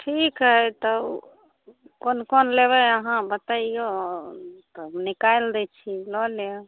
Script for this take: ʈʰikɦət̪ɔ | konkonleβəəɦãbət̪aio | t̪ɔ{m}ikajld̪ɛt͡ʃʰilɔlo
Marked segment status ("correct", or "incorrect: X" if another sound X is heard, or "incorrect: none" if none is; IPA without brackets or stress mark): incorrect: n